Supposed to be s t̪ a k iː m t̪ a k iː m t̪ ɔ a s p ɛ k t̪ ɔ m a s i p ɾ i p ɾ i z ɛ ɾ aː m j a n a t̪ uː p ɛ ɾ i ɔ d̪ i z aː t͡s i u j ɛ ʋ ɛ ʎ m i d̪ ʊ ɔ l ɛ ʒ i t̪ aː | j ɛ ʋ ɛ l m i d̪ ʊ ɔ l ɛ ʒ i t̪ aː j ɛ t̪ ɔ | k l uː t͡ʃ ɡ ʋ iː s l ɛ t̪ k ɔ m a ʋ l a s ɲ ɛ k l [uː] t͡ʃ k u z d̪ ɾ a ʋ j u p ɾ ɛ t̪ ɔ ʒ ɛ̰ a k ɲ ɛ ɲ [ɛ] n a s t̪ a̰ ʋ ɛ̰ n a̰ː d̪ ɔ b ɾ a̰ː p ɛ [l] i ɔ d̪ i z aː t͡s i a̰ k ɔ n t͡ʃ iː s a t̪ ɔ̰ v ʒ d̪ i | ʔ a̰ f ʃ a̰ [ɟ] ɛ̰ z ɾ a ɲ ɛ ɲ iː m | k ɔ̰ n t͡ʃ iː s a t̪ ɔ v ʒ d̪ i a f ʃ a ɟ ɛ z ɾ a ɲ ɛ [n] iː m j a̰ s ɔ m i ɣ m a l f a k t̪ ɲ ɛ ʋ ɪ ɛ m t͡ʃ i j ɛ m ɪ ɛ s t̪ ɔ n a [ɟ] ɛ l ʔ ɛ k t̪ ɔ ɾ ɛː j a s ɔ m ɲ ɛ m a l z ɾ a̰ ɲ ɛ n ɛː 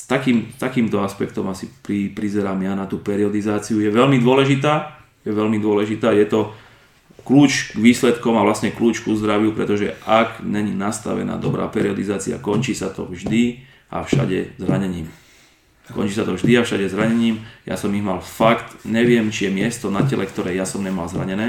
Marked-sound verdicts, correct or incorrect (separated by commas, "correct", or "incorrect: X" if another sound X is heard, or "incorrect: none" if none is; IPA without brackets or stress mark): correct, incorrect: i, incorrect: ɾ, correct, incorrect: ɲ, incorrect: c